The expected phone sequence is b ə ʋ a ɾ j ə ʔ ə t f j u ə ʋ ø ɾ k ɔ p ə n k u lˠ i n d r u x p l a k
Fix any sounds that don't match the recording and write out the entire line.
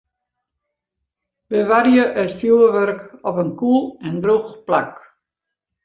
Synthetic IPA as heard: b ə ʋ a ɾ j ə ʔ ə t f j u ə ʋ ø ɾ k ɔ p ə n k u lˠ ɛ n d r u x p l a k